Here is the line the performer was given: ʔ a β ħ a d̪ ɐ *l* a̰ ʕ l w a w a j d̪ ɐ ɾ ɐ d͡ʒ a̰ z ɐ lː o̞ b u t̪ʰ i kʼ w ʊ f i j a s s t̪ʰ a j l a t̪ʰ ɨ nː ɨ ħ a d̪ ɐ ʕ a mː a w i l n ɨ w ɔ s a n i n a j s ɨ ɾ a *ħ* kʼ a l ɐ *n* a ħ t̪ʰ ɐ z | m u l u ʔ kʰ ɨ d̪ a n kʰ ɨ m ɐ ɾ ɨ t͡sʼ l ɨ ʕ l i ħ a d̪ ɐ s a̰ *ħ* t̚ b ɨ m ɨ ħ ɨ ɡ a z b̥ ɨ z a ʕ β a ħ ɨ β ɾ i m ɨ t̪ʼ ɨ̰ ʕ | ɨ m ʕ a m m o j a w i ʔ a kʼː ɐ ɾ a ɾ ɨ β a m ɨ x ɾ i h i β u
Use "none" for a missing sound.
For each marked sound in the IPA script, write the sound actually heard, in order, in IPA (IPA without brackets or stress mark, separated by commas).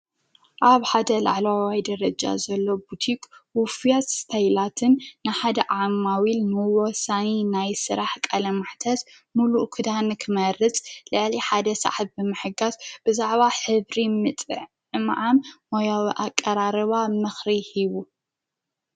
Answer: l, ħ, m, ħ